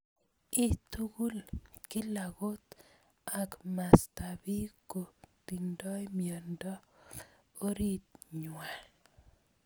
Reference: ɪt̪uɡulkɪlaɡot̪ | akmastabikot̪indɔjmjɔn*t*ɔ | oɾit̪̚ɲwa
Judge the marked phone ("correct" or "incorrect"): incorrect